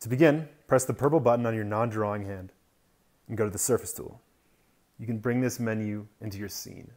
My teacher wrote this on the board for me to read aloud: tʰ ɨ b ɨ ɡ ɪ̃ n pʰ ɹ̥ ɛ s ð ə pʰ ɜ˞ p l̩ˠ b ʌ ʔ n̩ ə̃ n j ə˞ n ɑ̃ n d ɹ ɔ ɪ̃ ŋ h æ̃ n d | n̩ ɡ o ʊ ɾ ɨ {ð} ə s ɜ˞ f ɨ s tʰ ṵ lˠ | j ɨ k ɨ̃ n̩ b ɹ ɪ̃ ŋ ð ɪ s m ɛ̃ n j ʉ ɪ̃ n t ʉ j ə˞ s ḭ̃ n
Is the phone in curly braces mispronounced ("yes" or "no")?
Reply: no